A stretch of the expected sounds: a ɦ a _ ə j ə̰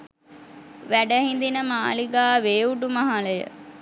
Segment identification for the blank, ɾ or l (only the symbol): l